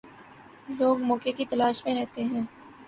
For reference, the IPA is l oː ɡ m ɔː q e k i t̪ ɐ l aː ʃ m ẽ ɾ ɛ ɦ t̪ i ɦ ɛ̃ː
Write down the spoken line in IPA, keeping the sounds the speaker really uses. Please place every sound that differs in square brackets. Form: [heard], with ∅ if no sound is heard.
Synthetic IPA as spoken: l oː ɡ m ɔː [k] e k i t̪ ɐ l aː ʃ m ẽ ɾ ɛ ɦ t̪ [e] ɦ ɛ̃ː

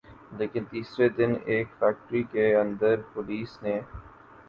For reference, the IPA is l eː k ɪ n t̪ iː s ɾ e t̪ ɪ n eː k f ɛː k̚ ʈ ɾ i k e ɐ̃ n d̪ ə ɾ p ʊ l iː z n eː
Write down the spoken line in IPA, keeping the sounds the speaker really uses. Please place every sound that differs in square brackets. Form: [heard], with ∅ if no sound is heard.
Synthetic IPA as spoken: l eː k ɪ n t̪ iː s ɾ e [d̪] ɪ n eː k f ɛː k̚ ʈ ɾ i k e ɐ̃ n d̪ ə ɾ p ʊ l iː [s] n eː

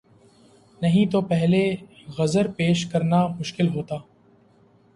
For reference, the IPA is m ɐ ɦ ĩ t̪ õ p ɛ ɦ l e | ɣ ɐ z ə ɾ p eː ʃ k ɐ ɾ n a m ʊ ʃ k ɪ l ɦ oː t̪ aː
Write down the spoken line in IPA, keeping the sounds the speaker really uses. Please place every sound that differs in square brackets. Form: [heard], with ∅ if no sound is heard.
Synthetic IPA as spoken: [n] ɐ ɦ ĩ t̪ [o] p ɛ ɦ l e | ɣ ɐ z ə ɾ p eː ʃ k ɐ ɾ n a m ʊ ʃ k ɪ l ɦ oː t̪ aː

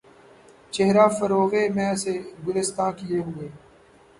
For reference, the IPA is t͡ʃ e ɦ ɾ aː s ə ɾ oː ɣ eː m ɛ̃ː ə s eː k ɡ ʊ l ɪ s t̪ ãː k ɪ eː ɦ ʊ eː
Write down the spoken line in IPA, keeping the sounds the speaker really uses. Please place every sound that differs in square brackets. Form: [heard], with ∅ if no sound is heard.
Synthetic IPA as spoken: t͡ʃ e ɦ ɾ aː [f] ə ɾ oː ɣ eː m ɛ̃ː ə s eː [∅] ɡ ʊ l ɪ s t̪ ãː k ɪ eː ɦ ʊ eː

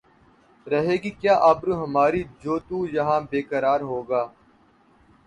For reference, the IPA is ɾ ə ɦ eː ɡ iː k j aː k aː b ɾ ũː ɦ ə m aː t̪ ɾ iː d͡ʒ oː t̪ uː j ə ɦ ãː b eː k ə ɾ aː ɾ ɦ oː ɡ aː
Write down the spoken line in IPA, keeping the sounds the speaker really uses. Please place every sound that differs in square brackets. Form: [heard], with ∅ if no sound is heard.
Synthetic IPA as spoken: ɾ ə ɦ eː ɡ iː k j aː [ʔ] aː b ɾ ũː ɦ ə m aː [∅] ɾ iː d͡ʒ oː t̪ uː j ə ɦ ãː b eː k ə ɾ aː ɾ ɦ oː ɡ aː

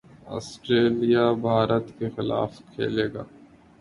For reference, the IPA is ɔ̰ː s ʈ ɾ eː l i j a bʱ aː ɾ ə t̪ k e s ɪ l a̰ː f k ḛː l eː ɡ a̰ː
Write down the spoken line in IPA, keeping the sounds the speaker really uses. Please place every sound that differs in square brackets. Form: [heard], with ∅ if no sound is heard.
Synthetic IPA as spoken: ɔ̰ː s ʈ ɾ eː l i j a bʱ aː ɾ ə t̪ k e [x] ɪ l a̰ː f [kʰ] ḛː l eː ɡ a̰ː

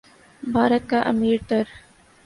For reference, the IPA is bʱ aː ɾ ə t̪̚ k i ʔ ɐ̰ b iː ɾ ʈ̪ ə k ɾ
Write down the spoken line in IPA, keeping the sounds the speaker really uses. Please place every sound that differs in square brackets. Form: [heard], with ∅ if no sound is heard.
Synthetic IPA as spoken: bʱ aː ɾ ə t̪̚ k [a] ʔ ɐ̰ [m] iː ɾ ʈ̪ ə [∅] ɾ

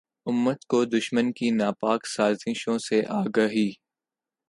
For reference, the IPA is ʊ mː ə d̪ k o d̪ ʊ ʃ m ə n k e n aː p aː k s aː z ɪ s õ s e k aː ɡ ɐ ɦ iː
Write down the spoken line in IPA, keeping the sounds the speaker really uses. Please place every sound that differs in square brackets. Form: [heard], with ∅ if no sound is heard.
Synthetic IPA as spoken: ʊ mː ə [t̪] k o d̪ ʊ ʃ m ə n k [i] n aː p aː k s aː z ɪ [ʃ] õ s e [ʔ] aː ɡ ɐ ɦ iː

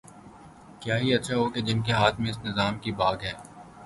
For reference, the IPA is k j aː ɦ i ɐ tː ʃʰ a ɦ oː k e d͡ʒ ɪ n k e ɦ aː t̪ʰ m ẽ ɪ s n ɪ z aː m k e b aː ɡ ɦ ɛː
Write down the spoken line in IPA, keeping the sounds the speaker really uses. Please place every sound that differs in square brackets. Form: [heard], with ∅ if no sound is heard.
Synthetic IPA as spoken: k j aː ɦ i ɐ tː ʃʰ a ɦ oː k e d͡ʒ ɪ n k e ɦ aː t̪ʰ m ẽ ɪ s n ɪ z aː m k [i] b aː ɡ ɦ ɛː

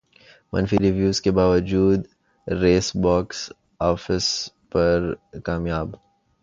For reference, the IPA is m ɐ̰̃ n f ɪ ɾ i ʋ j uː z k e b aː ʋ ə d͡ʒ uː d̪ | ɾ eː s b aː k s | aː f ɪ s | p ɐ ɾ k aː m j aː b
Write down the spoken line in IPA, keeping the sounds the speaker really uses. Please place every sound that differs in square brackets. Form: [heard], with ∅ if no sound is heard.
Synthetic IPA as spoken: m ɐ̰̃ n f [i] ɾ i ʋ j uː z k e b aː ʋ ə d͡ʒ uː d̪ | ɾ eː s b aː k s | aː f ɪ s | p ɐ ɾ k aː m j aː b

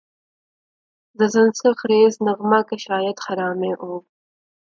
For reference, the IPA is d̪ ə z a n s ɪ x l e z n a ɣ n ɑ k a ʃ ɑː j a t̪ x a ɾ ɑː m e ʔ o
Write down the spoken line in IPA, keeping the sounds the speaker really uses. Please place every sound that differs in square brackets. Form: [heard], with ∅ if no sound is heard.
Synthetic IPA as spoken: d̪ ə z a n s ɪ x [ɾ] e z n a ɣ [m] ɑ k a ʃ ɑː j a t̪ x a ɾ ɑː m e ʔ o

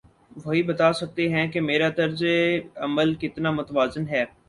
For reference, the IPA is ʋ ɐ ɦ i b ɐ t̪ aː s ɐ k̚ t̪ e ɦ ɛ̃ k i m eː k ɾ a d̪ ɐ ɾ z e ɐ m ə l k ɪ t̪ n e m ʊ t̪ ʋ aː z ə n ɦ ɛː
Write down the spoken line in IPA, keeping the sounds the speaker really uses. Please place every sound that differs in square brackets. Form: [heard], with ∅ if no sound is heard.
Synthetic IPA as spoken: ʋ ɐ ɦ i b ɐ t̪ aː s ɐ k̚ t̪ e ɦ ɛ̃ k [e] m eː [∅] ɾ a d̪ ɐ ɾ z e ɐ m ə l k ɪ t̪ n [a] m ʊ t̪ ʋ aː z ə n ɦ ɛː

